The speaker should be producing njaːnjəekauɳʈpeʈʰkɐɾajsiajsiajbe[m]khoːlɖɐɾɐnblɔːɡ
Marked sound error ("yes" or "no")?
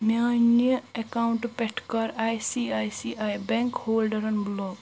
yes